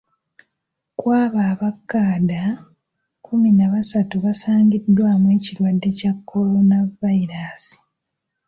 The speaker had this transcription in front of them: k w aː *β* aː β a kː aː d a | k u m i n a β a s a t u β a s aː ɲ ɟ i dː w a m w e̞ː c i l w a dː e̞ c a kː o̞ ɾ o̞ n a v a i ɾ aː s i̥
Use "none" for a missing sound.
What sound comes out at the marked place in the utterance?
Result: β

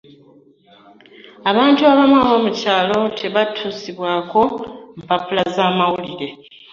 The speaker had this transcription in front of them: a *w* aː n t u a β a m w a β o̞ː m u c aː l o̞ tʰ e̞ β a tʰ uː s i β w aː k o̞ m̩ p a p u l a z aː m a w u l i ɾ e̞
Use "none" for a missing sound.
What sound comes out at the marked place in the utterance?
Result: β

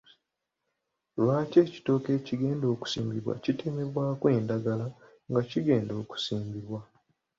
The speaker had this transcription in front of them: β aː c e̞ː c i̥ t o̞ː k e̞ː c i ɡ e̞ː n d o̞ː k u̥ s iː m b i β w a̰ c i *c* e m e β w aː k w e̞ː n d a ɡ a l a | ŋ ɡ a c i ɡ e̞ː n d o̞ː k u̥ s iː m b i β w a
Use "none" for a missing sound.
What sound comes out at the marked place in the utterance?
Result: t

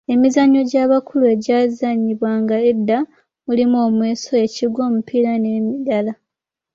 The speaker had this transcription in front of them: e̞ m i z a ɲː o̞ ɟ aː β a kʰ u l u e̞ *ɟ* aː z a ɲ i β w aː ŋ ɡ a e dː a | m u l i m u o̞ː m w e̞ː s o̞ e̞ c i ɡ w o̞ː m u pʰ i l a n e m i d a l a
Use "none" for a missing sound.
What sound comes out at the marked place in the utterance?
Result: ɟ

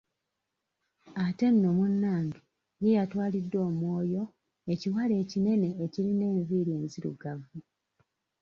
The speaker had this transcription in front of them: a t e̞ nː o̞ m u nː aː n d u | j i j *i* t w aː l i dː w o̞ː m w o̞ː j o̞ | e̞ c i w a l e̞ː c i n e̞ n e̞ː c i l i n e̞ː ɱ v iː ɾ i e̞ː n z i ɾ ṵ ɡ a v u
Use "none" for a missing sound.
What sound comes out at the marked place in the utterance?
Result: a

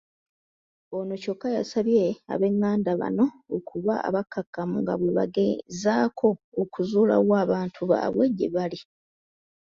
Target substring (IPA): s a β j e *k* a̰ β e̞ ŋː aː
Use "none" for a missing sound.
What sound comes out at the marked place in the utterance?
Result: none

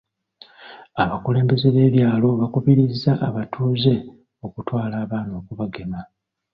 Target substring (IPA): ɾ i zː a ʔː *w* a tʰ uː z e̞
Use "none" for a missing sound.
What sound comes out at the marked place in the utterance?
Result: β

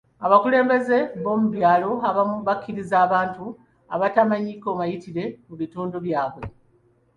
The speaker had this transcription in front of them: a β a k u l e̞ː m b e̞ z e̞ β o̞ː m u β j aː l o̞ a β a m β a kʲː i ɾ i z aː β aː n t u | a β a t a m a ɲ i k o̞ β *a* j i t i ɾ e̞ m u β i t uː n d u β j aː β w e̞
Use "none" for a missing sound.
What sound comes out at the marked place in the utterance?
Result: a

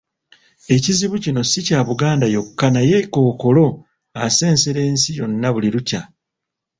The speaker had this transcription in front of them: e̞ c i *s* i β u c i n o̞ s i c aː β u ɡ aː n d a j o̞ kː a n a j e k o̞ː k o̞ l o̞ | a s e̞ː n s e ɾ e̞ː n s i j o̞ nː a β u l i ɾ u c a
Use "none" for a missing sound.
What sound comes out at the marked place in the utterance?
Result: z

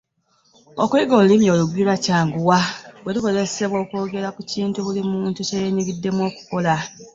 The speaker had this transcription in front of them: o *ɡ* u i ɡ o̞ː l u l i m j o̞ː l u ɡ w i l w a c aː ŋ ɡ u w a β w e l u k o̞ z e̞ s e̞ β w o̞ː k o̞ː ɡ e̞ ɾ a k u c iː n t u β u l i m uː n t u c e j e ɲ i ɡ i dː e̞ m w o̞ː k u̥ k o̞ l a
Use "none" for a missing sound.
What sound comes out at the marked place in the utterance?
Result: k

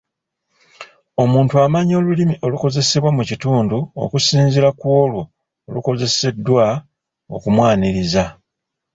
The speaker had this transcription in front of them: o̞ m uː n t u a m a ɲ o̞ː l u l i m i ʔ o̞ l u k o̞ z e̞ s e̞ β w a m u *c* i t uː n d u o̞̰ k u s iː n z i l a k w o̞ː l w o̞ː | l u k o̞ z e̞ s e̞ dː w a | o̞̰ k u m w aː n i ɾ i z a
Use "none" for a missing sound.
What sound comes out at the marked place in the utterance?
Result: c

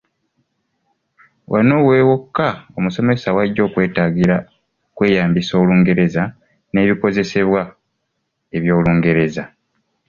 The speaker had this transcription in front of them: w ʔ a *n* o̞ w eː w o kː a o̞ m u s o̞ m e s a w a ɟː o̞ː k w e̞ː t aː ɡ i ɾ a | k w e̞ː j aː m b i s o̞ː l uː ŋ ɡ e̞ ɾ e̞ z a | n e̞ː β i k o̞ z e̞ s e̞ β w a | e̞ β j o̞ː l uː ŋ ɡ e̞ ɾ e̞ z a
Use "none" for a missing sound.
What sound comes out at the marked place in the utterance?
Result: n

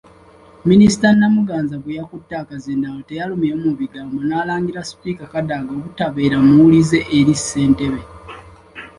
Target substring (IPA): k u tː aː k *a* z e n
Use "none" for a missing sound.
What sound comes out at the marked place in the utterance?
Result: a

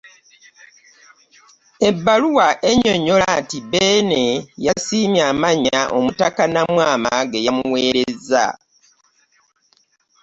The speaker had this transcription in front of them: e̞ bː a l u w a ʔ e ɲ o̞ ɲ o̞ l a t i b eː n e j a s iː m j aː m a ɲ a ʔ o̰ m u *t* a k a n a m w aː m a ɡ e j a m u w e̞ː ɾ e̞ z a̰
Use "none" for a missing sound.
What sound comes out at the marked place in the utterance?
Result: t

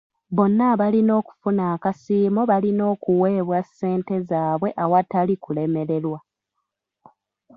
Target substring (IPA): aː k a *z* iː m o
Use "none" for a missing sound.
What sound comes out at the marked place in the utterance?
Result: s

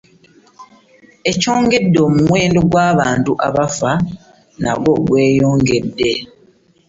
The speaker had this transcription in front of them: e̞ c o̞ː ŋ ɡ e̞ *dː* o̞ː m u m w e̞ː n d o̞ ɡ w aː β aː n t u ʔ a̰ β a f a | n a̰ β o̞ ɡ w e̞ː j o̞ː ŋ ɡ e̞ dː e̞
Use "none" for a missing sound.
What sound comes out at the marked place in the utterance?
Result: dː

